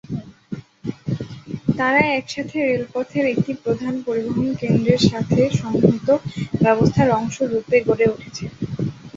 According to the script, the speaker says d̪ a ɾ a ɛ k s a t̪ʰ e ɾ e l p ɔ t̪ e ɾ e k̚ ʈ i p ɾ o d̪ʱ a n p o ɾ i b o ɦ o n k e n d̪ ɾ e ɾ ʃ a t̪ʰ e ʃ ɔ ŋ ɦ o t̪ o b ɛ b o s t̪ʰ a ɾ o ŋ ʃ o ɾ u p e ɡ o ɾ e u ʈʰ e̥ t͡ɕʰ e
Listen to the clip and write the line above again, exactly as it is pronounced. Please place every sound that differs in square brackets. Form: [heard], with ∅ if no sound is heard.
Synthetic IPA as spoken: [t̪] a ɾ a ɛ k [ʃ] a t̪ʰ e ɾ e l p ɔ [t̪ʰ] e ɾ e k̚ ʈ i p ɾ o d̪ʱ a n p o ɾ i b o ɦ o n k e n d̪ ɾ e ɾ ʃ a t̪ʰ e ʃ ɔ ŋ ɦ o t̪ o b ɛ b o s t̪ʰ a ɾ [ɔ] ŋ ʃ o ɾ u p e ɡ o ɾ e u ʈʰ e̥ t͡ɕʰ e